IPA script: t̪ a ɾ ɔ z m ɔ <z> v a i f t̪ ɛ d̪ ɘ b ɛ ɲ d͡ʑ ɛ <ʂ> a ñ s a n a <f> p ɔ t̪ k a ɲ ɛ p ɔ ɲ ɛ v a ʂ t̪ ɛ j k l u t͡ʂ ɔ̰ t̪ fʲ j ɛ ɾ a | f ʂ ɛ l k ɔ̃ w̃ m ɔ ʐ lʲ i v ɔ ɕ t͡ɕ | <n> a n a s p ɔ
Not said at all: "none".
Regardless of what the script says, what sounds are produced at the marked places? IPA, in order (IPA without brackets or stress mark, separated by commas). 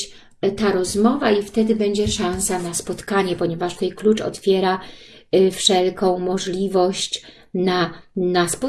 none, ʂ, s, n